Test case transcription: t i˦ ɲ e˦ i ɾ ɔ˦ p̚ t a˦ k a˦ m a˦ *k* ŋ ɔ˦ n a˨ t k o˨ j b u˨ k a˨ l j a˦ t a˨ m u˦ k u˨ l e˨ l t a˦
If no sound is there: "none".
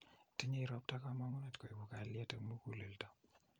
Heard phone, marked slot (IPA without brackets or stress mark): none